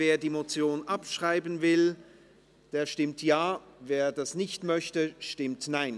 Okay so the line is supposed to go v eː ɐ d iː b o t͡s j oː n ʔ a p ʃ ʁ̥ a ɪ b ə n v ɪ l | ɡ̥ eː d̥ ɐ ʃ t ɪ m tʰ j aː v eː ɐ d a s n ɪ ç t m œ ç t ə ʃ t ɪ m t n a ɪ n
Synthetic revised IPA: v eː ɐ d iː m o t͡s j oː n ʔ a p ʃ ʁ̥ a ɪ b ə n v ɪ l | d̥ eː ɐ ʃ t ɪ m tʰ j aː v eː ɐ d a s n ɪ ç t m œ ç t ə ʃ t ɪ m t n a ɪ n